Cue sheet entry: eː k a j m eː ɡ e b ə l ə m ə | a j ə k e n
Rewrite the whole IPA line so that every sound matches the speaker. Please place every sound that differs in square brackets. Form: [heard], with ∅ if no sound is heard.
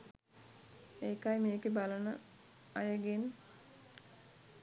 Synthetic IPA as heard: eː k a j m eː [k] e b [a] l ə [n] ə | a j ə [ɡ] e n